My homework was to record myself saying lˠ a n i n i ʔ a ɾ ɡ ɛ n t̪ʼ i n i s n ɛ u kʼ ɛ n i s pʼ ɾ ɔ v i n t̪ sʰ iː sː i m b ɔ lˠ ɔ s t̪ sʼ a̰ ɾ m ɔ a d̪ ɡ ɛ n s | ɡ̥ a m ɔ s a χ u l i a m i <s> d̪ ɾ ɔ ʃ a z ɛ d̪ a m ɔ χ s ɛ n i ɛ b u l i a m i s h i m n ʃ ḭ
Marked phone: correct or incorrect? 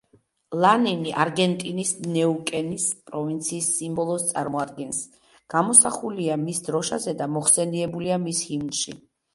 correct